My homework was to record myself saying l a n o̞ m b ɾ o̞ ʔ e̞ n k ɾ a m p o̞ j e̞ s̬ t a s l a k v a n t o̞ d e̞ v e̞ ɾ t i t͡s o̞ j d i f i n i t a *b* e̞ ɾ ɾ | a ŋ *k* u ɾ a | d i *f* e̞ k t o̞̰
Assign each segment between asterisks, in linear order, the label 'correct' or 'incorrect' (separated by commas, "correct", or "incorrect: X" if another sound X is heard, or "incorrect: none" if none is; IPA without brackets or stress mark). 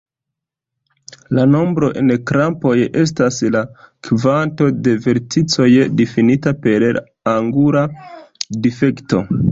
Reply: incorrect: p, incorrect: ɡ, correct